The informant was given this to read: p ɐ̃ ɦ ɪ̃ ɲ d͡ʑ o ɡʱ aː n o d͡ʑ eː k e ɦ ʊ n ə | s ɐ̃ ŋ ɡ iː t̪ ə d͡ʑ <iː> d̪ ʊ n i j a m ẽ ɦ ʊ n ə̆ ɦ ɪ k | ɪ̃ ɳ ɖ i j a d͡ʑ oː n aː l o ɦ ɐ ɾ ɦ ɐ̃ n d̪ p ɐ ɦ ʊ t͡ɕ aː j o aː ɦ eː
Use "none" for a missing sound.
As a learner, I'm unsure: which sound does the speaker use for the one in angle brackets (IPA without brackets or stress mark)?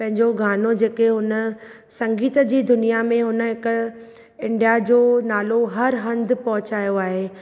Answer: iː